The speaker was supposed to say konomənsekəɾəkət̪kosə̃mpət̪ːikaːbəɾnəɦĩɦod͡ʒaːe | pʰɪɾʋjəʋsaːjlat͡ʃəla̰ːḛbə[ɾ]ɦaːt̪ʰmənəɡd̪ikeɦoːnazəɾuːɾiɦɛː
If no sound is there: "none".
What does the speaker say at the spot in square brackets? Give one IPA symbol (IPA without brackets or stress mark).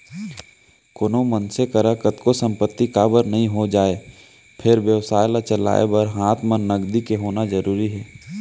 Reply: ɾ